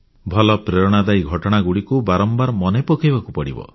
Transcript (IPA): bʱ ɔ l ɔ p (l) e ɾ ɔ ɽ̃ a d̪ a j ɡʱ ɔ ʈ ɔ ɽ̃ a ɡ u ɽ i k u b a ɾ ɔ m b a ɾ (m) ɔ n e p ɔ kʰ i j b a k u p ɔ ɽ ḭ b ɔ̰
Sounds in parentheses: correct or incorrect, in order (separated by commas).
incorrect, correct